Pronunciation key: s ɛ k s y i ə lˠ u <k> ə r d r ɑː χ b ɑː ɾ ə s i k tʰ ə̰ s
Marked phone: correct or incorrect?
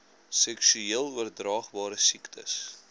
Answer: incorrect